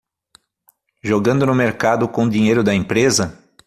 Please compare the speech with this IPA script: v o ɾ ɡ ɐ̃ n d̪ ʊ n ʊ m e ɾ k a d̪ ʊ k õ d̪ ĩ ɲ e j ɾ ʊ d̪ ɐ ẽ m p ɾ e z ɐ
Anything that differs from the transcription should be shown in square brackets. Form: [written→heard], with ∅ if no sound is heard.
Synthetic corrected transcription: [v→ʒ] o [ɾ→∅] ɡ ɐ̃ n d̪ ʊ n ʊ m e ɾ k a d̪ ʊ k õ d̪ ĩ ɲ e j ɾ ʊ d̪ ɐ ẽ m p ɾ e z ɐ